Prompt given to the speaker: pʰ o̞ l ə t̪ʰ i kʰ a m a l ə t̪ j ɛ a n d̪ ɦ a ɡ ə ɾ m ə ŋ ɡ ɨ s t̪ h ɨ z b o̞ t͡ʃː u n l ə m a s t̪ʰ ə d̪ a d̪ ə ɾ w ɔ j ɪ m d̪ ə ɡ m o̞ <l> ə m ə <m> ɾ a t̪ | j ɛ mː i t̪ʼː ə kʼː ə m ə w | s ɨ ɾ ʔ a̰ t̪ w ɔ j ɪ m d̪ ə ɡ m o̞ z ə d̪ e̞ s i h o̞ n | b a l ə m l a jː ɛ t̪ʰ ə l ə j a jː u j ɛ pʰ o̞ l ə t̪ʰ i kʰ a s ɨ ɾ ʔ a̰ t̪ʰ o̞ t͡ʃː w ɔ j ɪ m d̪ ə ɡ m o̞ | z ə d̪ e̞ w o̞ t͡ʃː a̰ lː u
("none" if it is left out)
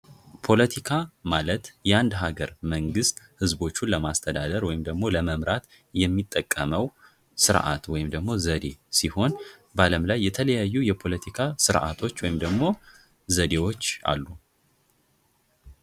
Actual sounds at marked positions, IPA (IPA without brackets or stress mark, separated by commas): l, m